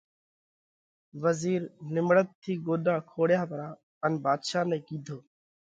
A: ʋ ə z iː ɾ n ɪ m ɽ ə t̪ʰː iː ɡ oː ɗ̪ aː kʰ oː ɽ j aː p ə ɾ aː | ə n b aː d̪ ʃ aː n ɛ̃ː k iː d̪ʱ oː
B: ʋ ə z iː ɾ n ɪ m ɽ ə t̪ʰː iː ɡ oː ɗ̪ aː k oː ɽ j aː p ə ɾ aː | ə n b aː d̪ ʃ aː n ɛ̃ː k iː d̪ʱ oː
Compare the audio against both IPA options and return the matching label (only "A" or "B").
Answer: A